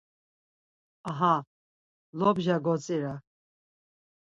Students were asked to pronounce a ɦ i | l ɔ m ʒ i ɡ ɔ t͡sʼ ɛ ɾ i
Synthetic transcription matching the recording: a ɦ a | l ɔ b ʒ a ɡ ɔ t͡sʼ i ɾ a